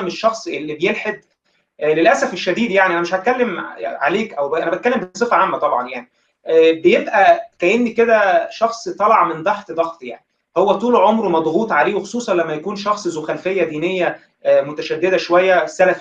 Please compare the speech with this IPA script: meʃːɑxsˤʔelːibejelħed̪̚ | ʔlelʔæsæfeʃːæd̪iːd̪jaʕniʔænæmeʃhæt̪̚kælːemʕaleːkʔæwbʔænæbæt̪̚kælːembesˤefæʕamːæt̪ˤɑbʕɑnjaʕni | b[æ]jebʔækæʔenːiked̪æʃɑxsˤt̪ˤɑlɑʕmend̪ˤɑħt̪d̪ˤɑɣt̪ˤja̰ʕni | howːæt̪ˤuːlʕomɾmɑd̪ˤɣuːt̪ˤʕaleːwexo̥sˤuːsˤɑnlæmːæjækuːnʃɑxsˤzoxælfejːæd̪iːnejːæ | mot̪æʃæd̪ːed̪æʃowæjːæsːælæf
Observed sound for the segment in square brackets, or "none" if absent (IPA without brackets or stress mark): e